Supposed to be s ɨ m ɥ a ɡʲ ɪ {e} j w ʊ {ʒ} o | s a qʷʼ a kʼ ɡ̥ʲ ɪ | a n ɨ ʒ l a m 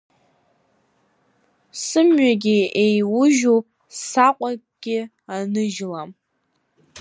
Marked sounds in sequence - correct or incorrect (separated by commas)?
correct, correct